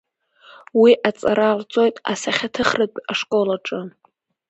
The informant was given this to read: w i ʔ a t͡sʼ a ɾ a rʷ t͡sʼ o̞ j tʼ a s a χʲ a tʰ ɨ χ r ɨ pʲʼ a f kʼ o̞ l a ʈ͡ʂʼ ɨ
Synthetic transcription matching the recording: w i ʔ a t͡sʼ a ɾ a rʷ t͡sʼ o̞ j tʼ a s a χʲ a tʰ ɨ χ r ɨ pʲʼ a ʂ kʼ o̞ l a ʈ͡ʂʼ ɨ